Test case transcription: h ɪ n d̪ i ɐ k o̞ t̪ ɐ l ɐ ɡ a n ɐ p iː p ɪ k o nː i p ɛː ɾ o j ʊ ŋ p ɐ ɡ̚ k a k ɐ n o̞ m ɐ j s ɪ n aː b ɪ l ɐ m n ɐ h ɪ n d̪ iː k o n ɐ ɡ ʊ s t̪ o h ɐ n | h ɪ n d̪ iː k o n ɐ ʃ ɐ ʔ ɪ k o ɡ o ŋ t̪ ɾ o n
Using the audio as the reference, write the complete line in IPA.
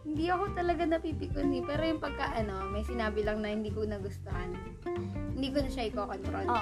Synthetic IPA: h ɪ n d̪ i ɐ k o̞ t̪ ɐ l ɐ ɡ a n ɐ p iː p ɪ k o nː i p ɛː ɾ o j ʊ ŋ p ɐ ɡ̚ k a ʔ ɐ n o̞ m ɐ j s ɪ n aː b ɪ l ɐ ŋ n ɐ h ɪ n d̪ iː k o n ɐ ɡ ʊ s t̪ o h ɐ n | h ɪ n d̪ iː k o n ɐ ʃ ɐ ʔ ɪ k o k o n t̪ ɾ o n